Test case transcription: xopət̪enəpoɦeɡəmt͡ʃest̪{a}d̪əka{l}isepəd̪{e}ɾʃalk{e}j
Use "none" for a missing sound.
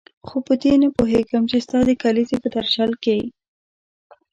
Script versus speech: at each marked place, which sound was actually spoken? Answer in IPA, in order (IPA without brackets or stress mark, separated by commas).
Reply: ɑ, l, a, e